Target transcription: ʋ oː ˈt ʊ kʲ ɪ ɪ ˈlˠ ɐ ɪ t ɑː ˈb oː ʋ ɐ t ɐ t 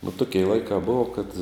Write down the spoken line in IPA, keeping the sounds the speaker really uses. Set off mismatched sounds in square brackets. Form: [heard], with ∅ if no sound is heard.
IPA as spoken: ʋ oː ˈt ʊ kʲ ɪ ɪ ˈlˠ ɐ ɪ [k] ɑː ˈb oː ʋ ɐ [k] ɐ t